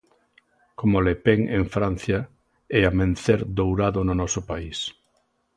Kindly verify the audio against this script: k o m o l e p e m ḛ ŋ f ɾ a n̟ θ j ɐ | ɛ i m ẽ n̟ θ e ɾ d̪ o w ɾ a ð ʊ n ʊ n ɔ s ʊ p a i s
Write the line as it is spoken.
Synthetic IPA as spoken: k o m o l e p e ŋ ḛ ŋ f ɾ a n̟ θ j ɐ | ɛ a m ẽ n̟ θ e ɾ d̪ o w ɾ a ð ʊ n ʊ n ɔ s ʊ p a i s